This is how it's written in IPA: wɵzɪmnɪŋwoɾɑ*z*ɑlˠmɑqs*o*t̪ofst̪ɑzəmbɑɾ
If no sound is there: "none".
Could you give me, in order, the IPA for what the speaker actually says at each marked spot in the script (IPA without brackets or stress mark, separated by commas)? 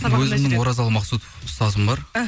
z, u